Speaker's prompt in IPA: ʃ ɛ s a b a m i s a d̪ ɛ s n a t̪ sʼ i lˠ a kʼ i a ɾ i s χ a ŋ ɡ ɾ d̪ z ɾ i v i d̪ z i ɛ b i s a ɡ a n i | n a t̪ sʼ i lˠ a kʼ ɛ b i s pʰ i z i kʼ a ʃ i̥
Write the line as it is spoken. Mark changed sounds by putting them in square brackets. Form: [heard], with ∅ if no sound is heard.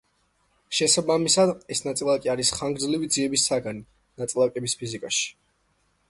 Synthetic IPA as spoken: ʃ ɛ s a b a m i s a d̪ ɛ s n a t̪ sʼ i lˠ a kʼ i a ɾ i s χ a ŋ ɡ ɾ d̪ z [l] i v i d̪ z i ɛ b i s a ɡ a n i | n a t̪ sʼ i lˠ a kʼ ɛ b i s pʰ i z i kʼ a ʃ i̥